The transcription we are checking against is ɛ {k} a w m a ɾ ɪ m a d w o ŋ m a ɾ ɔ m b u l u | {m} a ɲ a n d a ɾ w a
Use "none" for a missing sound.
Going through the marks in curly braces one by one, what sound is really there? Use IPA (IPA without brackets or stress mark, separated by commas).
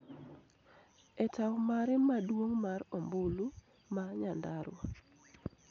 t, m